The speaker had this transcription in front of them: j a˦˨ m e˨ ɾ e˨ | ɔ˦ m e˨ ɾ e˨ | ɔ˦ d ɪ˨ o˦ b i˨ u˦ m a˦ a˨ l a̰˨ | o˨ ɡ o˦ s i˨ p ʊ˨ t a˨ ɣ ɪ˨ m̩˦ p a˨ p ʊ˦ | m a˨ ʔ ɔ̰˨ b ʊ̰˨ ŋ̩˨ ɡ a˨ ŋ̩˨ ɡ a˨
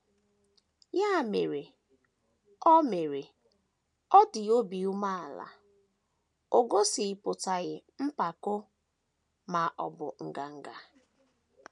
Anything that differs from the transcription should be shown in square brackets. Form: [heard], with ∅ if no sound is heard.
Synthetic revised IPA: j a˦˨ m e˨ ɾ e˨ | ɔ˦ m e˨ ɾ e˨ | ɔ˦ d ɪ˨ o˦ b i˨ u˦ m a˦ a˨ l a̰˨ | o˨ ɡ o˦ s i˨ p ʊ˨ t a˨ ɣ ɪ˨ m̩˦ p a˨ [k] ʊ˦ | m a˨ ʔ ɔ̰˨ b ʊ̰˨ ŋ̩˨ ɡ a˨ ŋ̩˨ ɡ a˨